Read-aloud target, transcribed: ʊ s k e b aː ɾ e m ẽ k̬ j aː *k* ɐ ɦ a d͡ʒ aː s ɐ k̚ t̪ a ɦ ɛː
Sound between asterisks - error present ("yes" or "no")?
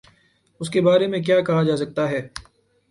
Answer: no